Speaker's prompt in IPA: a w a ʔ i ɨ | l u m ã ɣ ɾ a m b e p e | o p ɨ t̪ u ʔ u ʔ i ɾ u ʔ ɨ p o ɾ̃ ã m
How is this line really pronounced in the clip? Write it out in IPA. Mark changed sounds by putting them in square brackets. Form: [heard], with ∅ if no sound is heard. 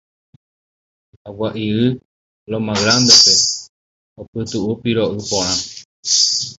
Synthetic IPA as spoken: a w a ʔ i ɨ | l [o] m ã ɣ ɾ a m b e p e | o p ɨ t̪ u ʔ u [p] i ɾ [o] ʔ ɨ p o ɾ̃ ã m